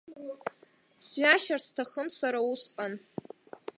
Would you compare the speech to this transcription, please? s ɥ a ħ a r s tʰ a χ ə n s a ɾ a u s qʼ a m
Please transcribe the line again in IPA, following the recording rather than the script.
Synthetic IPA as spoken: s ɥ a ʃ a r s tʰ a χ ə m s a ɾ a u s qʼ a n